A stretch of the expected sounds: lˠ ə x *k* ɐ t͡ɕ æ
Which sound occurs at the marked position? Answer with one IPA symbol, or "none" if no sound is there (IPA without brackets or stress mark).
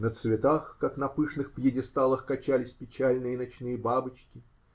k